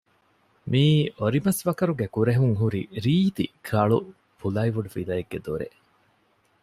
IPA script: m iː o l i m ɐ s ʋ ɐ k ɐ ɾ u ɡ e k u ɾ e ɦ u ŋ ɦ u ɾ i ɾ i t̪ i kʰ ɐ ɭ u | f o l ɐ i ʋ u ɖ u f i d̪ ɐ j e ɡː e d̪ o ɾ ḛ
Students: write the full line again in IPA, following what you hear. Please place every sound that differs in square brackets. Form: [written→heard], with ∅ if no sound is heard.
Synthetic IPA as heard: m iː o [l→ɾ] i m ɐ s ʋ ɐ k ɐ ɾ u ɡ e k u ɾ e ɦ u ŋ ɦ u ɾ i ɾ [i→iː] t̪ i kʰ ɐ ɭ u | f [o→u] l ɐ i ʋ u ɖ u f i d̪ ɐ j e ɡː e d̪ o ɾ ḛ